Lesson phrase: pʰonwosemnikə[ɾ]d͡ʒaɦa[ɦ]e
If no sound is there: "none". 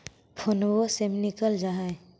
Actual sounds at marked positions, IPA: l, none

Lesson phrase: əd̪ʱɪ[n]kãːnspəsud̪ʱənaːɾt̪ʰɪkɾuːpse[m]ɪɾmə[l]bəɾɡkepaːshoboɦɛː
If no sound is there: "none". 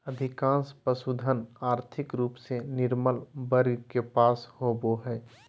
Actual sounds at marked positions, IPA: none, n, l

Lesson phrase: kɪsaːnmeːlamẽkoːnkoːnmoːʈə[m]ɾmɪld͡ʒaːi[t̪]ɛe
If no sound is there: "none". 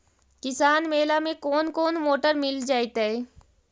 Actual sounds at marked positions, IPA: none, t̪

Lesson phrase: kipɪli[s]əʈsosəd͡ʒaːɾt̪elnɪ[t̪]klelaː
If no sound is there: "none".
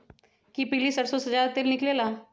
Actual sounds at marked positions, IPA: s, none

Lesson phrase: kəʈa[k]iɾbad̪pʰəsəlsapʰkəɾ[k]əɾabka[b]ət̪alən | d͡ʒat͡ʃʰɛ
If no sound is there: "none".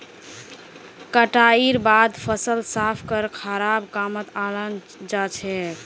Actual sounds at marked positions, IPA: none, kʰ, m

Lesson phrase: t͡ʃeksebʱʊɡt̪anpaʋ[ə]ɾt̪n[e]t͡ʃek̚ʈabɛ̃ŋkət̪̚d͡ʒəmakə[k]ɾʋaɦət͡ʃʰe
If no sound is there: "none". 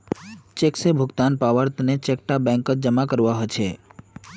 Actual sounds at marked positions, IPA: ə, e, none

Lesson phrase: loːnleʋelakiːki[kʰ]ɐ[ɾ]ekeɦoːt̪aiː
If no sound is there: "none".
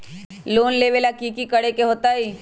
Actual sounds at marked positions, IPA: k, ɽ

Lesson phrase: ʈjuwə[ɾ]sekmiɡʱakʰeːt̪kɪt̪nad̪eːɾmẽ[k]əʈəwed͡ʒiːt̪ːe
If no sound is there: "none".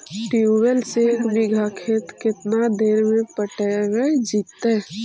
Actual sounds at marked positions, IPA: l, p

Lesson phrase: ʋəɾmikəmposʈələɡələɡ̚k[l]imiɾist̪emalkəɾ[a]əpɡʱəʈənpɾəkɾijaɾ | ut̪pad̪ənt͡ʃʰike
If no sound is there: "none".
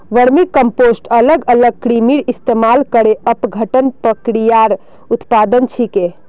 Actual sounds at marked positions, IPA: ɾ, e

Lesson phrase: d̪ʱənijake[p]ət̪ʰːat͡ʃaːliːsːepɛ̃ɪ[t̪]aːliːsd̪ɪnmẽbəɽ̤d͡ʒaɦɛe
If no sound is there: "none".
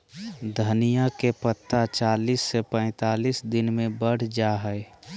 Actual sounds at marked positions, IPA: p, t̪

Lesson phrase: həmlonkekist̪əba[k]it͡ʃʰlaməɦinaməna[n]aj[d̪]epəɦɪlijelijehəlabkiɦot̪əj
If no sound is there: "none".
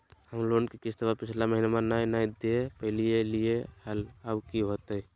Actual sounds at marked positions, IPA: p, n, d̪

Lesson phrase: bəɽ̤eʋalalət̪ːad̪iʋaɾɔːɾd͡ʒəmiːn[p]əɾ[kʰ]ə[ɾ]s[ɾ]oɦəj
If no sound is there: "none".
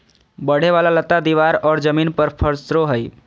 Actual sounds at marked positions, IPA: p, pʰ, ɾ, ɾ

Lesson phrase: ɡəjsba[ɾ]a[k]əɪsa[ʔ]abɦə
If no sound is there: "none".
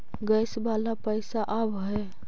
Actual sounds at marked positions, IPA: l, p, ʔ

